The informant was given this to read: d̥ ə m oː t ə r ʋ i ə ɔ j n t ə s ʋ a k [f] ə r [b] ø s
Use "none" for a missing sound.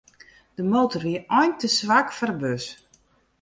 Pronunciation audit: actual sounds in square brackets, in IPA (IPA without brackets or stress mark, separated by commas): f, b